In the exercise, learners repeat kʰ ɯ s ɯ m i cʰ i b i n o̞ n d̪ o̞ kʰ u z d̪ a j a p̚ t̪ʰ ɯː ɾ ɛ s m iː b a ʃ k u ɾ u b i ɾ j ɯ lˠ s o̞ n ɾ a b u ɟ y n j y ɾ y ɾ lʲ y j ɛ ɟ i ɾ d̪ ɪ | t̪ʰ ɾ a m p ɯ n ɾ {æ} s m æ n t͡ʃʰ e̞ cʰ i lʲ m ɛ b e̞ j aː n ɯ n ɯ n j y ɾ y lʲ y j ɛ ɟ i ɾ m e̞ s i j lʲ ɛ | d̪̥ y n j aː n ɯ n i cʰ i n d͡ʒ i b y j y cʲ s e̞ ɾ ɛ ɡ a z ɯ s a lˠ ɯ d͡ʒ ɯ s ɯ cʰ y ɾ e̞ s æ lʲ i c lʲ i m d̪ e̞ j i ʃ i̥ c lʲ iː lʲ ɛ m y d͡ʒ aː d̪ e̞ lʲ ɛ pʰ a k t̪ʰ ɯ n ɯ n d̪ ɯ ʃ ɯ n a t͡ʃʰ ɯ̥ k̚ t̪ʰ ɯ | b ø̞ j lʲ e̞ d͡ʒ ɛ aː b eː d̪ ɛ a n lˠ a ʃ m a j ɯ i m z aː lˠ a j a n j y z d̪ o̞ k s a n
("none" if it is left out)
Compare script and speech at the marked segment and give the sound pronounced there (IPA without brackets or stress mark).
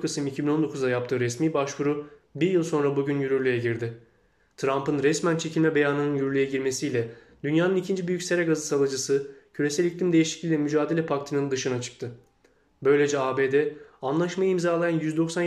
ɛ